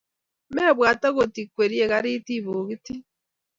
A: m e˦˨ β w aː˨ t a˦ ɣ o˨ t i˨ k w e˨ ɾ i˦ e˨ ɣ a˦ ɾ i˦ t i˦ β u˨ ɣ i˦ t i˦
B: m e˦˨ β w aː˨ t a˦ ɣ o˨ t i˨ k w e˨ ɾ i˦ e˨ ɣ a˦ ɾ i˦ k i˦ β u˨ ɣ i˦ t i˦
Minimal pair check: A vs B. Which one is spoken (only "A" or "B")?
A